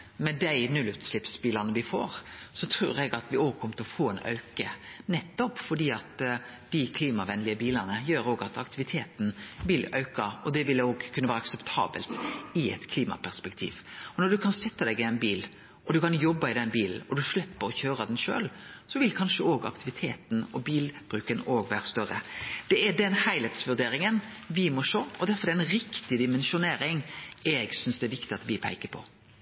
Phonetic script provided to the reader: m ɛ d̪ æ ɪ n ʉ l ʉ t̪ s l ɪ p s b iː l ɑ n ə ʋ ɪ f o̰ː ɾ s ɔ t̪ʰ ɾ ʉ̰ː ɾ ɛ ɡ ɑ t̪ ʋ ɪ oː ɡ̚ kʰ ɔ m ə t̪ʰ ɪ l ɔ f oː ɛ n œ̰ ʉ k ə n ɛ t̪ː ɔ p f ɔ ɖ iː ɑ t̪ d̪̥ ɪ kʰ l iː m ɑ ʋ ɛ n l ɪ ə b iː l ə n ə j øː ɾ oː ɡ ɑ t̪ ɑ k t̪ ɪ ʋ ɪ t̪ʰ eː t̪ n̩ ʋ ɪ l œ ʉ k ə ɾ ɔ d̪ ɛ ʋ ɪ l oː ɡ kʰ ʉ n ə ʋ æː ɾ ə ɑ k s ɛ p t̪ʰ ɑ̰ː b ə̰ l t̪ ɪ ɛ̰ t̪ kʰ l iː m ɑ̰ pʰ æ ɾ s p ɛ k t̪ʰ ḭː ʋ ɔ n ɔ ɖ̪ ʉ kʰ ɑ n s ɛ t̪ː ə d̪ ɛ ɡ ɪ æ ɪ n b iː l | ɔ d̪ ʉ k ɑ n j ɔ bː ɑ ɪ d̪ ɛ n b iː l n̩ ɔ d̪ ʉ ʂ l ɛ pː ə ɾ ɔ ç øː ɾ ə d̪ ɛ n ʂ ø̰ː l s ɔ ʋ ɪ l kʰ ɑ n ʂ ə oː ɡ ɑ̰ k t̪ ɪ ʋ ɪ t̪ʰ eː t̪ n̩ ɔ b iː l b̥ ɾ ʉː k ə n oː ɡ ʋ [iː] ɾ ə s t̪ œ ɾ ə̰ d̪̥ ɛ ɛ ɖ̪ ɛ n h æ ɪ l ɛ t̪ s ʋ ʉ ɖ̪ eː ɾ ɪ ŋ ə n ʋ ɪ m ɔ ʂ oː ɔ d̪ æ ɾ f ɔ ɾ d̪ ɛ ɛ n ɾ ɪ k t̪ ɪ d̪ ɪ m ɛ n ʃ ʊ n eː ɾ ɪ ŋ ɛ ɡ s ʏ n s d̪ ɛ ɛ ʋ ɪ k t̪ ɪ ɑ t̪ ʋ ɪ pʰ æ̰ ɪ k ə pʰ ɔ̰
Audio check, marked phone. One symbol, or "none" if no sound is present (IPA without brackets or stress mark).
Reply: æː